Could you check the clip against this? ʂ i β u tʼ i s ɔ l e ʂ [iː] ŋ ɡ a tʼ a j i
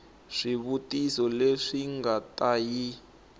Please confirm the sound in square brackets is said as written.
no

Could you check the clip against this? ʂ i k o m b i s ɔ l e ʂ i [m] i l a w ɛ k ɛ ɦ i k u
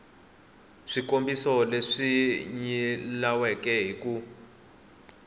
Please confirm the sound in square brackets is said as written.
no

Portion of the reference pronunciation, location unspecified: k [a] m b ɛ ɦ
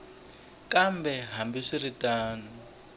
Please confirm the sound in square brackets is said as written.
yes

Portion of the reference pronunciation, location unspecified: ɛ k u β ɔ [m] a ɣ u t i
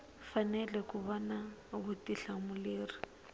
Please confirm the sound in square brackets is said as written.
no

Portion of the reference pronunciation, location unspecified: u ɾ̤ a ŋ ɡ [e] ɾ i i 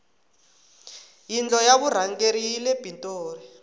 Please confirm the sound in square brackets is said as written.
yes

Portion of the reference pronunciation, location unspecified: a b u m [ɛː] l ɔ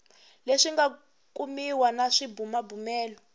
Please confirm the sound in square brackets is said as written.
yes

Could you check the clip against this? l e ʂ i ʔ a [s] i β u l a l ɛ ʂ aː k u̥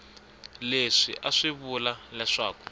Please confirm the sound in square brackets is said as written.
no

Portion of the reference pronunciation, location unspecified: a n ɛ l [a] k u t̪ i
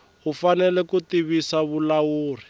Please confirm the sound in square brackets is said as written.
no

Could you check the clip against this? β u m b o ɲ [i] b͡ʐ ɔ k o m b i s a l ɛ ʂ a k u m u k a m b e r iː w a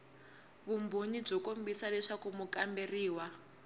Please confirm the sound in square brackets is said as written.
yes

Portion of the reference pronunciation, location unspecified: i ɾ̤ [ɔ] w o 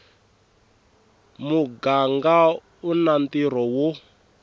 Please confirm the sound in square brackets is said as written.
yes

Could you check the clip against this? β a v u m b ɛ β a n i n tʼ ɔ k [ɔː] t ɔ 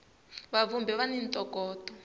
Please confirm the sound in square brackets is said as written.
yes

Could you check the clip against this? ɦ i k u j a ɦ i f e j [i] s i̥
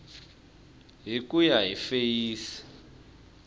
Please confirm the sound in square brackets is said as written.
no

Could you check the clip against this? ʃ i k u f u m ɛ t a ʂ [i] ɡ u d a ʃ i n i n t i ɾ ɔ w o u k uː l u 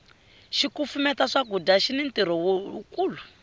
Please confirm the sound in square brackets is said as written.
no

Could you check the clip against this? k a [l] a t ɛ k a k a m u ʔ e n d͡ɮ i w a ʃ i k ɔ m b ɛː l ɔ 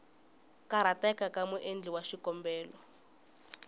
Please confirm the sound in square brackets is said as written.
no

